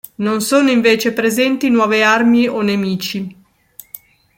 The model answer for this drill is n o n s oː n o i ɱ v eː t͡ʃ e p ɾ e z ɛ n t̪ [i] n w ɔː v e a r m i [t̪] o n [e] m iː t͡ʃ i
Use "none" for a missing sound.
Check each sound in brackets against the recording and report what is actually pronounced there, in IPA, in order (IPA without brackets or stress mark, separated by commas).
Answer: i, none, e